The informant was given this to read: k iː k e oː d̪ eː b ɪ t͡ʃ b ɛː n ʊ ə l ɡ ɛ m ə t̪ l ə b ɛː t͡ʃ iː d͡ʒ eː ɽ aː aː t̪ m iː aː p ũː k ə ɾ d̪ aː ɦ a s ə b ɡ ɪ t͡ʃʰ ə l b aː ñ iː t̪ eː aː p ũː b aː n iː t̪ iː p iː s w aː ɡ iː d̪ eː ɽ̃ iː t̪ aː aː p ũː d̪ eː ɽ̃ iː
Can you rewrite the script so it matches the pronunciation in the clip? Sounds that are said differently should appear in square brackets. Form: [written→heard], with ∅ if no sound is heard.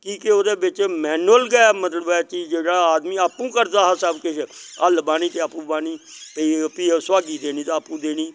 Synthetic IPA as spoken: k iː k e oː d̪ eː b ɪ t͡ʃ [b→m] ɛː n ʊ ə l ɡ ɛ m ə t̪ l ə b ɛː t͡ʃ iː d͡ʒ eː ɽ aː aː [t̪→d̪] m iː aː p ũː k ə ɾ d̪ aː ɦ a s ə b [ɡ→k] ɪ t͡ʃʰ ə l b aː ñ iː t̪ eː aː p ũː b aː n iː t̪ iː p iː s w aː ɡ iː d̪ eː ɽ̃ iː t̪ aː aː p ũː d̪ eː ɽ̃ iː